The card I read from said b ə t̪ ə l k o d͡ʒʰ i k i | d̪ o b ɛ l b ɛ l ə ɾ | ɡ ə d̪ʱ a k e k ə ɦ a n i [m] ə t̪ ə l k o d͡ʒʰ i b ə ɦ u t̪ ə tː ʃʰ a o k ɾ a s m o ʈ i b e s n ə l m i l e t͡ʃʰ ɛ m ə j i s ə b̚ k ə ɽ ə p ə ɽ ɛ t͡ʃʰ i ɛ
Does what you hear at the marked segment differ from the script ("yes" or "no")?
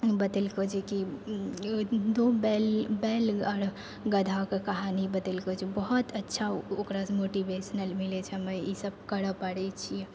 yes